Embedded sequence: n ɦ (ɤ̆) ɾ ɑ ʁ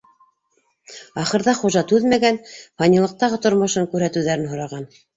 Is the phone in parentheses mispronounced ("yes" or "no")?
yes